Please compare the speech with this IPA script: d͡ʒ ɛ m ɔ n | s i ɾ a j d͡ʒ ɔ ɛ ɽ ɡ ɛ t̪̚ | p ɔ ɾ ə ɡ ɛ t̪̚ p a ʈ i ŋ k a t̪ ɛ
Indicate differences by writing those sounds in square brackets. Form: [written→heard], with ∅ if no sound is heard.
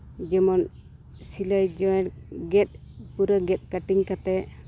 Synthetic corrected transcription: d͡ʒ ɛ m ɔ n | s i [ɾ→l] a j d͡ʒ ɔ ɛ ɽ ɡ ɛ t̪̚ | p [ɔ→u] ɾ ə ɡ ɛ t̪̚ [p→k] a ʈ i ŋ k a t̪ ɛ